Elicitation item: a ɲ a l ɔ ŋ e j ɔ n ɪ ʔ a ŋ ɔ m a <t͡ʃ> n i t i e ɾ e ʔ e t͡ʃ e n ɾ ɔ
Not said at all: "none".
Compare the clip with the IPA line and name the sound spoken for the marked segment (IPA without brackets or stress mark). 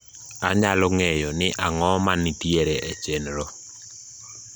none